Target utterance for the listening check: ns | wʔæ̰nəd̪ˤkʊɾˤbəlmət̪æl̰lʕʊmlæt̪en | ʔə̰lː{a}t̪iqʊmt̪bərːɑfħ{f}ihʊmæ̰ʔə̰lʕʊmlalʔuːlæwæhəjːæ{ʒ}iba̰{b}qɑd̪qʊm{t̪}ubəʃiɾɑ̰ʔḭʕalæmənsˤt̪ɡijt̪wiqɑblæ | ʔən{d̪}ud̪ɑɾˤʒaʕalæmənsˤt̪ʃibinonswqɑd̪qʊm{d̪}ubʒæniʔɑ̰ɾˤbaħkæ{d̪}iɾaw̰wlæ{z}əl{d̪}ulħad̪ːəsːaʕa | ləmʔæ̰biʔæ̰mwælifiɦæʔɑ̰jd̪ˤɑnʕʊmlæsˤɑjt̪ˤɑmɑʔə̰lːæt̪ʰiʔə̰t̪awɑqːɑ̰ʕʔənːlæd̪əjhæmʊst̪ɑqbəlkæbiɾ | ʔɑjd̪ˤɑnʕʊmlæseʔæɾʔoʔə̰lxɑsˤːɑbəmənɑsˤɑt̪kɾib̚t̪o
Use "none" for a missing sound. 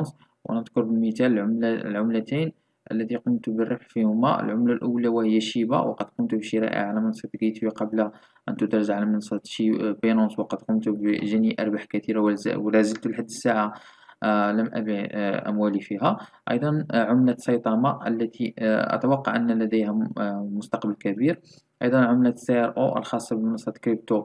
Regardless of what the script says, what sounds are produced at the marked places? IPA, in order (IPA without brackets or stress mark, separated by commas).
æ, f, ʃ, w, t̪, t̪, t̪, t̪, z, t̪